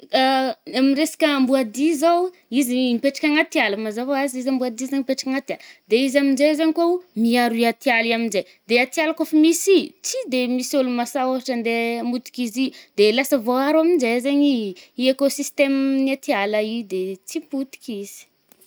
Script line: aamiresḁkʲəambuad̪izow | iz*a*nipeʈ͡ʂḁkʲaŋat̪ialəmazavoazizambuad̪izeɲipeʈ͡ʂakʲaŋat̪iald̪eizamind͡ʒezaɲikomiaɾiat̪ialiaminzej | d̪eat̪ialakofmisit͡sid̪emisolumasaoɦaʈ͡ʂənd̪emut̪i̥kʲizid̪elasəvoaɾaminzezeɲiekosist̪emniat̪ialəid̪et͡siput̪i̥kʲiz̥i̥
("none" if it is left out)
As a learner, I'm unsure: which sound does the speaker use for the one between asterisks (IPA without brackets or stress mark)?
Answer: i